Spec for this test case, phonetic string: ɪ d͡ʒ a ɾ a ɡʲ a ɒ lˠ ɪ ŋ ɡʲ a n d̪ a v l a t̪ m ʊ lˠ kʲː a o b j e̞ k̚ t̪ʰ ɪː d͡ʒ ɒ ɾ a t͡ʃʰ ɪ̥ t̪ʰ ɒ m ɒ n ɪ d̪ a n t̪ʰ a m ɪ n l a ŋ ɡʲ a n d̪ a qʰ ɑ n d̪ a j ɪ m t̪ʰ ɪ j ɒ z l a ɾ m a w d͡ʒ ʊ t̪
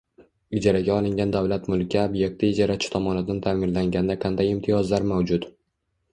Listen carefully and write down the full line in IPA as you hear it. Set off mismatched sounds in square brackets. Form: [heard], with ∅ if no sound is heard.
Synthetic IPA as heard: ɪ d͡ʒ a ɾ a ɡʲ a ɒ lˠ ɪ ŋ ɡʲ a n d̪ a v l a t̪ m ʊ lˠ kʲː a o b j e̞ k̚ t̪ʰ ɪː d͡ʒ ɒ ɾ a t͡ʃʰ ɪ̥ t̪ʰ ɒ m ɒ n ɪ d̪ a n t̪ʰ a m ɪ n l a ŋ ɡʲ a n d̪ a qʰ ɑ n d̪ a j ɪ m t̪ʰ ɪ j ɒ z l a ɾ m a w d͡ʒ ʊ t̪